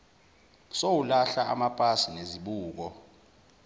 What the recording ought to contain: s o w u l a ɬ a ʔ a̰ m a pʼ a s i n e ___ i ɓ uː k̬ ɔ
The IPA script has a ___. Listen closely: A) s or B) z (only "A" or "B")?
B